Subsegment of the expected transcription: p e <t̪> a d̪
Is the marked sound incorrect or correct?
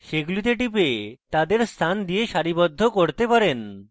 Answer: correct